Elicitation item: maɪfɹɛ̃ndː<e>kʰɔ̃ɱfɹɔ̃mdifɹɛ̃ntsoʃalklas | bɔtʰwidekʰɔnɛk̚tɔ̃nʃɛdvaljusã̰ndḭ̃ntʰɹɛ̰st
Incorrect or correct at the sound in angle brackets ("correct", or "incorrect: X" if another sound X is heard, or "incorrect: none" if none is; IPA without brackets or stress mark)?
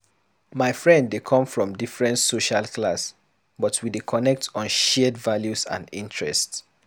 correct